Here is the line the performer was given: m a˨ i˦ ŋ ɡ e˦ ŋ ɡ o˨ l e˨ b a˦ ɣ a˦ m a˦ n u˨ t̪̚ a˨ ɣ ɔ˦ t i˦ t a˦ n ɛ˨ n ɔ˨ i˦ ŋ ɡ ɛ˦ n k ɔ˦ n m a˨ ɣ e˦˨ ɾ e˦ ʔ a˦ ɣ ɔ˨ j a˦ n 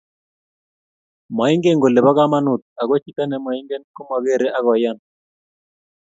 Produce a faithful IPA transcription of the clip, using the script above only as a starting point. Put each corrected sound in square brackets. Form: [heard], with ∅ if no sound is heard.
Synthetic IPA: m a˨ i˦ ŋ ɡ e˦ ŋ ɡ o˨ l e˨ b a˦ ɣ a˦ m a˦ n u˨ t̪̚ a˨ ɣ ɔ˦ [t͡ʃ] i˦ t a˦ n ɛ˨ [m] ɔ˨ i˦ ŋ ɡ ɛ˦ n k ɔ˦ [∅] m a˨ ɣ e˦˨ ɾ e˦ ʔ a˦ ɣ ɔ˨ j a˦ n